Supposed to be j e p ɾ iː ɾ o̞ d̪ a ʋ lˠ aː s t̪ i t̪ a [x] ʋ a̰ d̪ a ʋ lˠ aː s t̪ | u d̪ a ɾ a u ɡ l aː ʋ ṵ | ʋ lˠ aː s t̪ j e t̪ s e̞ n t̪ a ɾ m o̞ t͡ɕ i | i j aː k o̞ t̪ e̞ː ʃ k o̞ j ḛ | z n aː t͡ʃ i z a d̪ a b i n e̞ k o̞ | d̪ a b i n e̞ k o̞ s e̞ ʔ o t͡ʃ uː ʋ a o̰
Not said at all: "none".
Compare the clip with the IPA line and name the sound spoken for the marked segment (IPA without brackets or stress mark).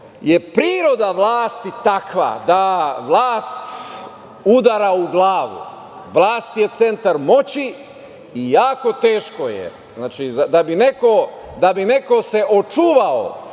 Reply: k